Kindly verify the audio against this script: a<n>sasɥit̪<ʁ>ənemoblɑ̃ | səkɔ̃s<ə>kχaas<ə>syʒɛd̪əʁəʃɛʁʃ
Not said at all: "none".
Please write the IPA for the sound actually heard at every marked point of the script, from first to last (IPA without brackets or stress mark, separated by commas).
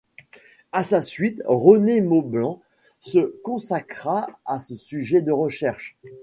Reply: none, ʁ, a, ə